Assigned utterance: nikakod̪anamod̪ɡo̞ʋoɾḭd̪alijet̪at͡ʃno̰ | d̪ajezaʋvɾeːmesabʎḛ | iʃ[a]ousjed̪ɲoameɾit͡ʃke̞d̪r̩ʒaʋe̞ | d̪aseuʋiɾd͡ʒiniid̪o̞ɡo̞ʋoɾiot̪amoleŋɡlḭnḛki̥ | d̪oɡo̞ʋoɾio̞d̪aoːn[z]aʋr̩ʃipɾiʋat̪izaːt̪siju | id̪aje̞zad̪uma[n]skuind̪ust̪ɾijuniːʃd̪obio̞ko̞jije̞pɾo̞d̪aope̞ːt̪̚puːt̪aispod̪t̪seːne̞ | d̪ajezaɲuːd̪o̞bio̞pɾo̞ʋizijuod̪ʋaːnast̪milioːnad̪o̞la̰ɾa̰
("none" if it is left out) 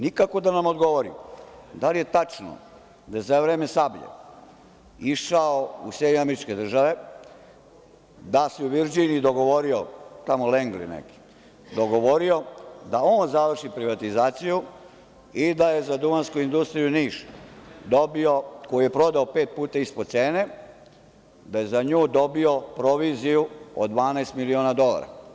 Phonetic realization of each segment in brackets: a, z, n

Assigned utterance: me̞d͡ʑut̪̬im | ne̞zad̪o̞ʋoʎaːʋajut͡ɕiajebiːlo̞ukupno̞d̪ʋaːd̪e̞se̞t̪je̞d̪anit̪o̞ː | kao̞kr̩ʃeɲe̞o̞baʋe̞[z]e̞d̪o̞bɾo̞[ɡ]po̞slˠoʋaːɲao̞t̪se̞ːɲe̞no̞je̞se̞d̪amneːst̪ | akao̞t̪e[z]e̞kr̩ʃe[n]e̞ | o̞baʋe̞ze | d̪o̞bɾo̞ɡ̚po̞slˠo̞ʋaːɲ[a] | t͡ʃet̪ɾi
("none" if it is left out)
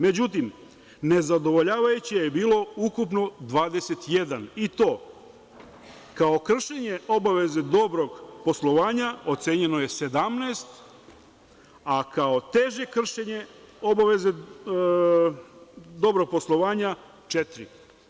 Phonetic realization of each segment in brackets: z, ɡ, ʒ, ɲ, a

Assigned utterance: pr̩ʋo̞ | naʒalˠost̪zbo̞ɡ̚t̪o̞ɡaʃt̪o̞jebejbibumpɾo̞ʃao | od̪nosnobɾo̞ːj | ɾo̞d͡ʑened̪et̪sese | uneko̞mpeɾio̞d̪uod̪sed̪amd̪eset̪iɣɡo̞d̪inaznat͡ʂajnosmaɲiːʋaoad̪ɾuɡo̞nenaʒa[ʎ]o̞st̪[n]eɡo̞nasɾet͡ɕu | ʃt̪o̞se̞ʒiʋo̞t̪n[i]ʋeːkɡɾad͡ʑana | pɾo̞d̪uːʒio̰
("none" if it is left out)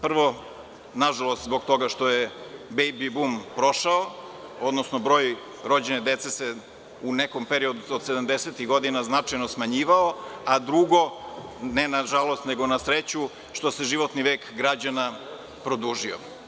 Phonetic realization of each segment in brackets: l, n, i

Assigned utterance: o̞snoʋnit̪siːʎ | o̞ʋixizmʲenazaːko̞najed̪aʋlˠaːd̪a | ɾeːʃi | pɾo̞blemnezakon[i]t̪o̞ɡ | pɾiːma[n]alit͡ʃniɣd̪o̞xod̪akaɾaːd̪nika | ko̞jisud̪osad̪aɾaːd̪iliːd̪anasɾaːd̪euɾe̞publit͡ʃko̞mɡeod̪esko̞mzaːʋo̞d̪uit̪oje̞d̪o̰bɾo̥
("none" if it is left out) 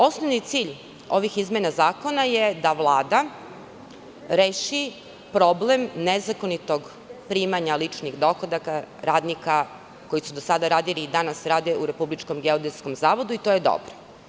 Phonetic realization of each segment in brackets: i, ɲ

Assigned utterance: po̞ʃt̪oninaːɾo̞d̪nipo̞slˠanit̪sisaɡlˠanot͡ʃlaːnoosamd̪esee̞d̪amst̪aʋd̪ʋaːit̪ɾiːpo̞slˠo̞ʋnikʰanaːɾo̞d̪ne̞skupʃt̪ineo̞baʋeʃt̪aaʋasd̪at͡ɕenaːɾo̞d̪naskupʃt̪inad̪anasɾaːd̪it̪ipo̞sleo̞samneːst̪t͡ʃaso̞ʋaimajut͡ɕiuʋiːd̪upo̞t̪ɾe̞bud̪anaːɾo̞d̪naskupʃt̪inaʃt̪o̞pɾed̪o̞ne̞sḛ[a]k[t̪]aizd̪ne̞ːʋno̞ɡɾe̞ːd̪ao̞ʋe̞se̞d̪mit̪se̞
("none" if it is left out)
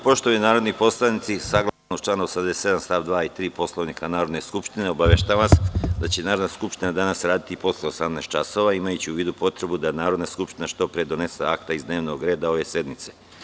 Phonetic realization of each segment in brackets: a, t̪

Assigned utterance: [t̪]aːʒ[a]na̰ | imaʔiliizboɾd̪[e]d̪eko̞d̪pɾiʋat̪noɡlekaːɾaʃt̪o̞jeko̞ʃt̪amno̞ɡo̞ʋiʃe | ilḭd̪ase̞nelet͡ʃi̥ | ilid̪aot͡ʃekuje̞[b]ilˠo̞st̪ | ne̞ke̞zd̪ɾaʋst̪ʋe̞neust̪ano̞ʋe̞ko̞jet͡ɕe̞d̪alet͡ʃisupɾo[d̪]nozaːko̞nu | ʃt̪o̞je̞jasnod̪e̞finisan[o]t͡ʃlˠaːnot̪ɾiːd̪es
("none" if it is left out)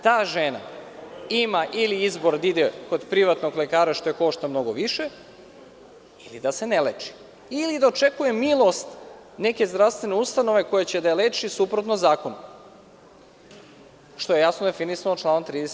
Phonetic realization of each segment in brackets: t̪, e, i, m, t̪, o

